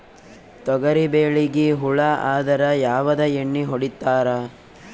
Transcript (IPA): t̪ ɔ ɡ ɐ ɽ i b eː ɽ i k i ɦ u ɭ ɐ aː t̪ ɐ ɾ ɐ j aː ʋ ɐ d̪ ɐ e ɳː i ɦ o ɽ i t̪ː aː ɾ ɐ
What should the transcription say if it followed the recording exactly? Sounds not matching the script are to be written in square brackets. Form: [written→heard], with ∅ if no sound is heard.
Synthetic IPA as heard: t̪ ɔ ɡ ɐ [ɽ→ɾ] i b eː [ɽ→ɭ] i [k→ɡ] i ɦ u ɭ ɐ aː [t̪→d̪] ɐ ɾ ɐ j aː ʋ ɐ d̪ ɐ e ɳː i ɦ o ɽ i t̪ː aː ɾ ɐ